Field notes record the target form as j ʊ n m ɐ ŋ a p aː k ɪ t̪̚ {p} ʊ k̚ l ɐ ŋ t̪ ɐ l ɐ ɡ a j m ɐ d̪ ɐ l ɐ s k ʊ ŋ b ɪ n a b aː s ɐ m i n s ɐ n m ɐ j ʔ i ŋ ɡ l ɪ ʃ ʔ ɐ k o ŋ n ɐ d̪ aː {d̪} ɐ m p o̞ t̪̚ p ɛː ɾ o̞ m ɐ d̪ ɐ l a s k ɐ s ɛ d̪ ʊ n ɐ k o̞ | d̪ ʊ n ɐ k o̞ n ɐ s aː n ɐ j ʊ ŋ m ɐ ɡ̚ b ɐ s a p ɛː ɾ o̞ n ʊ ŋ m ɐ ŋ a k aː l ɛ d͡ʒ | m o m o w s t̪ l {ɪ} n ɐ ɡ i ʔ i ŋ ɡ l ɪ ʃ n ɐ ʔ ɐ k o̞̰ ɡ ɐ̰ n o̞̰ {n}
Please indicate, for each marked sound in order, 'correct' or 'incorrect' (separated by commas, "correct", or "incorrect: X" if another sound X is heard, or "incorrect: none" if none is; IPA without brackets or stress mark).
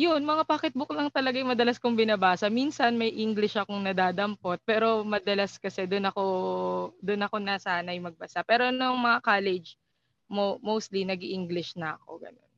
incorrect: b, correct, incorrect: i, correct